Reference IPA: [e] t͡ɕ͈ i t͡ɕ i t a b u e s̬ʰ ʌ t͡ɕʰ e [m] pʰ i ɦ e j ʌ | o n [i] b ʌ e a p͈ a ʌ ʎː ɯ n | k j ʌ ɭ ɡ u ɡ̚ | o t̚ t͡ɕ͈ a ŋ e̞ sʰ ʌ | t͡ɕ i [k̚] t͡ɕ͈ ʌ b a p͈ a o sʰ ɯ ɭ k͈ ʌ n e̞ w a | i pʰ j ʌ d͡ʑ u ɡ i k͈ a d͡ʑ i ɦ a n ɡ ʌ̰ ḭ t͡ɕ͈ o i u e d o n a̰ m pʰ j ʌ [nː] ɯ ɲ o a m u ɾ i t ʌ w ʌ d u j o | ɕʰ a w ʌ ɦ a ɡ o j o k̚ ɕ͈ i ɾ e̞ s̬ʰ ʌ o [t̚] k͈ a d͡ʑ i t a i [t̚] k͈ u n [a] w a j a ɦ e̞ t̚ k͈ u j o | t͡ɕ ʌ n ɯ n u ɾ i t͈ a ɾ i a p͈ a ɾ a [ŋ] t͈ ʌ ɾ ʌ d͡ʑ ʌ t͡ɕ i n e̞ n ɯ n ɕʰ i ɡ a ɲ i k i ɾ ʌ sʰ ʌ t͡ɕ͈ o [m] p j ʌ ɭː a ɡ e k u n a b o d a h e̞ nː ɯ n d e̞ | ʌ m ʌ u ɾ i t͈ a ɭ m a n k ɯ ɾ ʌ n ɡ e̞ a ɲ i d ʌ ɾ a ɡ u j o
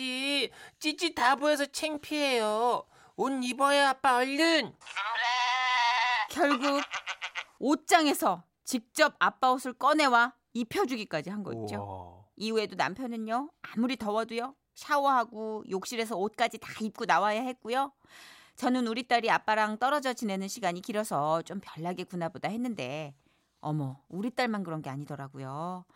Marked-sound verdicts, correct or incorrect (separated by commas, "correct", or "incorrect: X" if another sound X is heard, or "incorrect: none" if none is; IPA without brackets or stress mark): incorrect: i, incorrect: ŋ, correct, correct, incorrect: n, correct, incorrect: p̚, correct, correct, correct